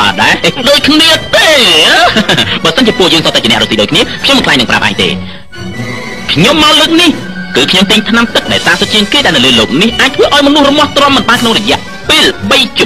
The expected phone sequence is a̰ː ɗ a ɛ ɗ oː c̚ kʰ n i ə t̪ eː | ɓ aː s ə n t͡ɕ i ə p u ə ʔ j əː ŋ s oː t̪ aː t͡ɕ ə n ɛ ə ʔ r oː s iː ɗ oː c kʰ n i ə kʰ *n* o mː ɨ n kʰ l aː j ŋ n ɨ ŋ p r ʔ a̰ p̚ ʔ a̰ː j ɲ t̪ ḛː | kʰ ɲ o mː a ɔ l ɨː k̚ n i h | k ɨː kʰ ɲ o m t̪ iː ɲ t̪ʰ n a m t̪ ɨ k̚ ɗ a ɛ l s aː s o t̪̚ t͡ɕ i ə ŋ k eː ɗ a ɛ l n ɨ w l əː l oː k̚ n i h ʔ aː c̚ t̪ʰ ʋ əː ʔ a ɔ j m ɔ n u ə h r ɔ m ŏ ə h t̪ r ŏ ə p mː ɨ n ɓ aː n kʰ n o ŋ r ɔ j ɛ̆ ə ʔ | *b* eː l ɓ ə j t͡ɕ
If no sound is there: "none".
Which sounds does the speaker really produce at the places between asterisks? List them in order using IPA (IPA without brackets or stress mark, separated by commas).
ɲ, p